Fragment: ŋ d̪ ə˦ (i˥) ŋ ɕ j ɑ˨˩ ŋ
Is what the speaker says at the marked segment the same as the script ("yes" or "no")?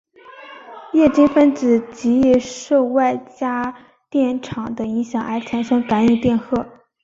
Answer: no